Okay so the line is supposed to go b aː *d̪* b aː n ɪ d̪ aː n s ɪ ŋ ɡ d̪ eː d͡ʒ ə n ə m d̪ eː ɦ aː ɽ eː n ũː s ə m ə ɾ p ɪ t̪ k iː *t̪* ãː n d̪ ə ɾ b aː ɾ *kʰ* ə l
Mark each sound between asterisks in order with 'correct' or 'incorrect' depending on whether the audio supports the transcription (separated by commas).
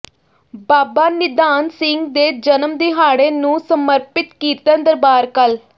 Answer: incorrect, correct, incorrect